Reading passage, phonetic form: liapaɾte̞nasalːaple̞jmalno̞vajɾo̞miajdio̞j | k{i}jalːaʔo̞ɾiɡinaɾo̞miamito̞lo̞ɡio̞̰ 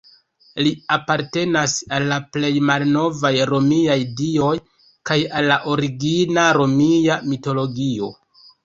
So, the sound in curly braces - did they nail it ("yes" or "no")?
no